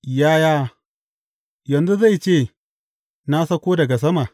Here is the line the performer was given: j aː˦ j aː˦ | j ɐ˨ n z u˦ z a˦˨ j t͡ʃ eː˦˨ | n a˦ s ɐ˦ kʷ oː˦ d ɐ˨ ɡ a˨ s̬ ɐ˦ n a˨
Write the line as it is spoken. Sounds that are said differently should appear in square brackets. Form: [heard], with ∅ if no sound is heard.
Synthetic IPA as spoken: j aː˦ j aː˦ | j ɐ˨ n z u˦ z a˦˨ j t͡ʃ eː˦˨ | n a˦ s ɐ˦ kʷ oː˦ d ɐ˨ ɡ a˨ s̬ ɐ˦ [m] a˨